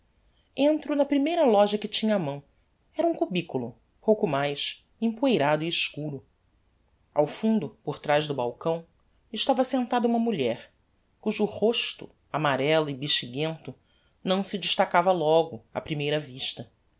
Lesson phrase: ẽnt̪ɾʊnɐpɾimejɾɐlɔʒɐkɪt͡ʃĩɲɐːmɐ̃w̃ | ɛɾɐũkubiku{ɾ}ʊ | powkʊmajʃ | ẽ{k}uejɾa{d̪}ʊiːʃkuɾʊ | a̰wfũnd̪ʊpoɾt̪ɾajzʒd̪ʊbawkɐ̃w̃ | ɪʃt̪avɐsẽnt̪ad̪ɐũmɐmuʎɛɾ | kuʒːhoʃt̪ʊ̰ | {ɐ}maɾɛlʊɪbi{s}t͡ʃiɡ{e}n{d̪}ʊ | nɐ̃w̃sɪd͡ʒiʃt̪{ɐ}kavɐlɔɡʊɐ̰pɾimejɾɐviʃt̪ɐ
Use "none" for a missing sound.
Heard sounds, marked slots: l, p, d̪, a, ʃ, ẽ, t̪, a

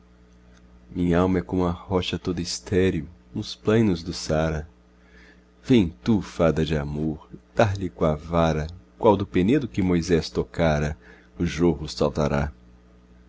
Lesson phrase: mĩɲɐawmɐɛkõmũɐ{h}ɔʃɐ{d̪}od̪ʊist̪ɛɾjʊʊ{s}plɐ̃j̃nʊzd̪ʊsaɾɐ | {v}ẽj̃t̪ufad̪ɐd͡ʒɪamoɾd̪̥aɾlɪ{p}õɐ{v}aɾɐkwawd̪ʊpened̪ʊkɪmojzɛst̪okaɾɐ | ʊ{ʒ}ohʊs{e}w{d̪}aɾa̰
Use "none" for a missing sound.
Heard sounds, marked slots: h, t̪, s, v, k, v, ʒ, a, t̪

